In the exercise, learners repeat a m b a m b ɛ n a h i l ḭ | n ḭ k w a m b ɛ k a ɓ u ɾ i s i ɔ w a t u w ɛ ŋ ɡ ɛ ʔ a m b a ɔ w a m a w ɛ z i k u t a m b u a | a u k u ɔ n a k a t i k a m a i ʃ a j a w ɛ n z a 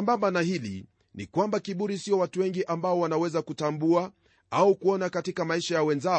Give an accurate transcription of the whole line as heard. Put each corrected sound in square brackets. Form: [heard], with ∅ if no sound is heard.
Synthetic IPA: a m b a m b [a] n a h i l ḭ | n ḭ k w a m b [a] k [i] ɓ u ɾ i s i ɔ w a t u w ɛ ŋ ɡ [i] ʔ a m b a ɔ w a [n] a w ɛ z [a] k u t a m b u a | a u k u ɔ n a k a t i k a m a i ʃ a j a w ɛ n z a